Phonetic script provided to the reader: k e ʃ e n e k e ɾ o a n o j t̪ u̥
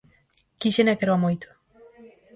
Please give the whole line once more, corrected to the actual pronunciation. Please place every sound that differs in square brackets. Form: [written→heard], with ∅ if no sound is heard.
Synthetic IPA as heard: k [e→i] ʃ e n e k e ɾ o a [n→m] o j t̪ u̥